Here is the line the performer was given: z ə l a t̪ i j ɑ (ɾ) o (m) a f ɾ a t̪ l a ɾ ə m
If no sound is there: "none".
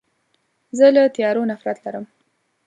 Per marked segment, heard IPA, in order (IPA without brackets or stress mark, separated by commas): ɾ, n